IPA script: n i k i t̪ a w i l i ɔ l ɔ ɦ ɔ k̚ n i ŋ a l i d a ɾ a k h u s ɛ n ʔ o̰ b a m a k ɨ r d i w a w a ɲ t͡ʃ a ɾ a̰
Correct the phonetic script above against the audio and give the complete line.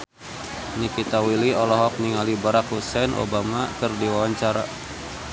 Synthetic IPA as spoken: n i k i t̪ a w i l i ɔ l ɔ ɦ ɔ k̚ n i ŋ a l i b a ɾ a k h u s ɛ n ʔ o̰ b a m a k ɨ r d i w a w a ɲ t͡ʃ a ɾ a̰